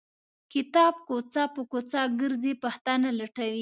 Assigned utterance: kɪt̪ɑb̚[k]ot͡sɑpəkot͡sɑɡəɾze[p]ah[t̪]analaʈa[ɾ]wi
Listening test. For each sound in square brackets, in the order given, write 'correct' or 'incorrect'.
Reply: correct, correct, correct, incorrect: none

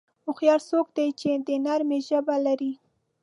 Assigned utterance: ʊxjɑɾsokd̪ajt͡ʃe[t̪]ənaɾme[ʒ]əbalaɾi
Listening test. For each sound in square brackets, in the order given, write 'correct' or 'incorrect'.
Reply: incorrect: d̪, correct

